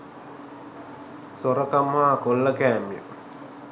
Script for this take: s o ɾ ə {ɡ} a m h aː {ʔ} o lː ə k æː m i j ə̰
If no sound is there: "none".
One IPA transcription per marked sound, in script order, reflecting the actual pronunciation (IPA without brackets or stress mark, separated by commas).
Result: k, k